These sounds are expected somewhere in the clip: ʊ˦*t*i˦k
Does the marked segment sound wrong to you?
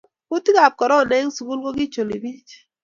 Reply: no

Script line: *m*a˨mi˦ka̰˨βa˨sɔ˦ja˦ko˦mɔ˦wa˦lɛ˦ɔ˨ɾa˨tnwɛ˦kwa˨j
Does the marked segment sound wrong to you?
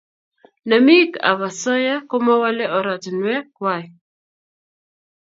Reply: yes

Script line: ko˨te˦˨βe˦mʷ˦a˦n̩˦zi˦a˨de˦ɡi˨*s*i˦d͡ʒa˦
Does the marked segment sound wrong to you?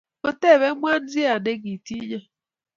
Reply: yes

